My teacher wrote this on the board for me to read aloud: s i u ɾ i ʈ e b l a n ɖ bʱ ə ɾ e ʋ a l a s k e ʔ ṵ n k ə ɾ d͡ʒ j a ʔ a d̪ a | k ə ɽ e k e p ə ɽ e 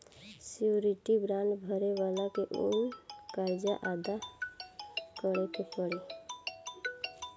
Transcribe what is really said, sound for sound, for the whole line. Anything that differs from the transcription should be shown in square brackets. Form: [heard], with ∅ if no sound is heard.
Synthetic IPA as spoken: s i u ɾ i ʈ [i] b [ɾ] a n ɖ bʱ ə ɾ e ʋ a l a [∅] k e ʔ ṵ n k [a] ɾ d͡ʒ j a ʔ a d̪ a | k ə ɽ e k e p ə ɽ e

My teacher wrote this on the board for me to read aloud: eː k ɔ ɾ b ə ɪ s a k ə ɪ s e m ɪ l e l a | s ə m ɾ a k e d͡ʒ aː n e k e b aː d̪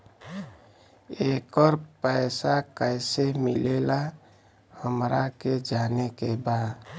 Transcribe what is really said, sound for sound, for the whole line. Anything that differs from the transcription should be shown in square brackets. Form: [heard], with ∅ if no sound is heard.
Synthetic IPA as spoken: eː k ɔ ɾ [p] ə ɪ s a k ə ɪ s e m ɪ l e l a | [h] ə m ɾ a k e d͡ʒ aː n e k e b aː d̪

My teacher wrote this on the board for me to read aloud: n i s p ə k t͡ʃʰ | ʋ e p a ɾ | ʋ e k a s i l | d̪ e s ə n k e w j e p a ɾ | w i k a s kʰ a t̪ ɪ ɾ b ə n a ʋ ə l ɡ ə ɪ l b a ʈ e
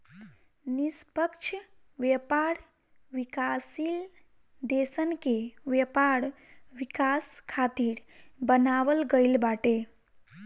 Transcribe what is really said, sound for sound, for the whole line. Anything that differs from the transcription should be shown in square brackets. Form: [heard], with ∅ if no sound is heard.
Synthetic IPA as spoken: n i s p ə k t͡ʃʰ | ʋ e p a ɾ | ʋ [i] k a s i l | d̪ e s ə n k e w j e p a ɾ | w i k a s kʰ a t̪ [i] ɾ b ə n a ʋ ə l ɡ ə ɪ l b a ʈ e

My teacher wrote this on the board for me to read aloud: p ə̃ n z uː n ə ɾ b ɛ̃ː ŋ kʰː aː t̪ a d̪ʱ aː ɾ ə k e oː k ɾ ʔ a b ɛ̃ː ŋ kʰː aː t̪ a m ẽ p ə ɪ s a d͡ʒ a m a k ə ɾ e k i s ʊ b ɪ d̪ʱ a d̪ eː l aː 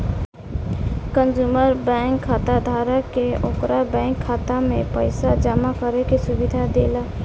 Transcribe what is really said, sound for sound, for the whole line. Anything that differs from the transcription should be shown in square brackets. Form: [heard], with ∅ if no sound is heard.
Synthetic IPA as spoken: [k] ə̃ n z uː [m] ə ɾ b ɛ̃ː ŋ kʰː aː t̪ a d̪ʱ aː ɾ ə k e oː k ɾ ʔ a b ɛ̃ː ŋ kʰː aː t̪ a m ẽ p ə ɪ s a d͡ʒ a m a k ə ɾ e k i s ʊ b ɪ d̪ʱ a d̪ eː l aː

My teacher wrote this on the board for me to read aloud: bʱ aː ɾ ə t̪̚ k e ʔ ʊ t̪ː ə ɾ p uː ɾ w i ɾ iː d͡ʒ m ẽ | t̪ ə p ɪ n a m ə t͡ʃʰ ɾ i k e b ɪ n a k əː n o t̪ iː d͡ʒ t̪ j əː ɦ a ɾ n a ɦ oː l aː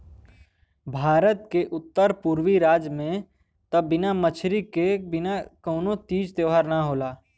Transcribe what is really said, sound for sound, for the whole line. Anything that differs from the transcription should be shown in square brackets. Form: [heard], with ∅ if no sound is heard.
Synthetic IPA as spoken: bʱ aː ɾ ə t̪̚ k e ʔ ʊ t̪ː ə ɾ p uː ɾ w i ɾ [aː] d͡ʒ m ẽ | t̪ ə [b] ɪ n a m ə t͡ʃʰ ɾ i k e b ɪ n a k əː n o t̪ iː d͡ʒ t̪ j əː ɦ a ɾ n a ɦ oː l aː

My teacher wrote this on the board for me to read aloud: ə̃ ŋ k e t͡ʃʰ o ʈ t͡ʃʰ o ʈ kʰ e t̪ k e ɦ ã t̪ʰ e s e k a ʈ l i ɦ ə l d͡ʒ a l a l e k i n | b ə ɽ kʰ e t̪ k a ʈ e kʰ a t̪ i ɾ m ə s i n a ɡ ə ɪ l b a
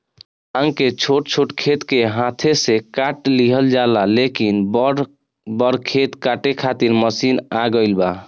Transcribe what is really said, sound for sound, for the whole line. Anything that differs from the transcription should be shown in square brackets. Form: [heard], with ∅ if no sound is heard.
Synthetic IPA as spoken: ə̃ ŋ k e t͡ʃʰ o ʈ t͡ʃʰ o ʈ kʰ e t̪ k e ɦ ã t̪ʰ e s e k a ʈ l i ɦ ə l d͡ʒ a l a l e k i n | b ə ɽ kʰ e t̪ k a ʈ e kʰ a t̪ i ɾ m ə s i n a ɡ ə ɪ l b a

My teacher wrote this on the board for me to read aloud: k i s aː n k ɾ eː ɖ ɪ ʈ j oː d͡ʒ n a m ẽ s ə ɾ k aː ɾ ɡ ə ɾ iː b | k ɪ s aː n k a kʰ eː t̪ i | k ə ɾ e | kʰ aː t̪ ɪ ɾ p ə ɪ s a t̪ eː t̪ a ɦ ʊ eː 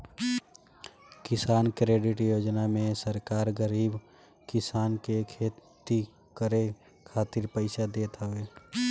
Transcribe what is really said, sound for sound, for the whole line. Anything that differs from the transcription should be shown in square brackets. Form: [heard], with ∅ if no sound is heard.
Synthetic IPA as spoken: k [ɪ] s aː n k ɾ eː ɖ ɪ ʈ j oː d͡ʒ n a m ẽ s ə ɾ k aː ɾ ɡ ə ɾ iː b | k ɪ s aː n k [e] kʰ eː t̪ i | k ə ɾ e | kʰ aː t̪ ɪ ɾ p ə ɪ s a [d̪] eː t̪ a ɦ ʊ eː

